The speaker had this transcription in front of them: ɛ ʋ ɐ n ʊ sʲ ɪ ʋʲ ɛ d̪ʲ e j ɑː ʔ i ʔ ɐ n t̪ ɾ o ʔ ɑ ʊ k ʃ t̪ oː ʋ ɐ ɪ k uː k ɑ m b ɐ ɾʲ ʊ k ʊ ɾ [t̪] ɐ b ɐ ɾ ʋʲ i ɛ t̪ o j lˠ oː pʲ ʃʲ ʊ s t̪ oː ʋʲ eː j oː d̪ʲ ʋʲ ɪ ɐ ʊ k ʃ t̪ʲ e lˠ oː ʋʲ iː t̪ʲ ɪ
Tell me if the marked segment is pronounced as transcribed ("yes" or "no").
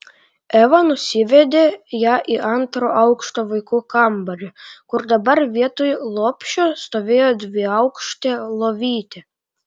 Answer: no